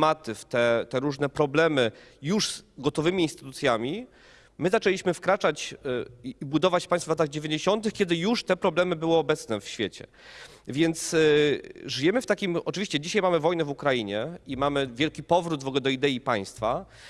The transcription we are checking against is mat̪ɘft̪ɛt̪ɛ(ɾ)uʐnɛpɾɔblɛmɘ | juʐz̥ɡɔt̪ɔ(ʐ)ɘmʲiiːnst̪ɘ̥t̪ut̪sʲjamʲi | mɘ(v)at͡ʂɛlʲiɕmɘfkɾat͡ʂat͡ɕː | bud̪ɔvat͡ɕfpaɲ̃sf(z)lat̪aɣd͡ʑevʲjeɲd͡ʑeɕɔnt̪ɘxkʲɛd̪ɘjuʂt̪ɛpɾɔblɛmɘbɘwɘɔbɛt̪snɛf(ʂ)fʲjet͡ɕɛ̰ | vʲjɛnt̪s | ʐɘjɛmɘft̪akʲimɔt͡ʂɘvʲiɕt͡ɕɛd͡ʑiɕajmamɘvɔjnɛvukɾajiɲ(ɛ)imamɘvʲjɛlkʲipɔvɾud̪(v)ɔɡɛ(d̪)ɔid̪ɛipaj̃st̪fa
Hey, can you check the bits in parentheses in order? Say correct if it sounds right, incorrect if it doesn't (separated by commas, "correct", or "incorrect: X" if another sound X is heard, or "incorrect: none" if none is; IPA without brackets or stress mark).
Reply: correct, incorrect: v, incorrect: z, incorrect: v, incorrect: ɕ, correct, correct, correct